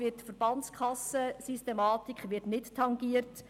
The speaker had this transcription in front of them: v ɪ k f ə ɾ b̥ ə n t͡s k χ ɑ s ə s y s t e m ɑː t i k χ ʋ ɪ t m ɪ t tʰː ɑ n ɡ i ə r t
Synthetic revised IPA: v ɪ t f ə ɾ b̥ ɑ n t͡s k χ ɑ s ə s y s t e m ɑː t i k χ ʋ ɪ t n ɪ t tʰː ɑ ŋ ɡ i ə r t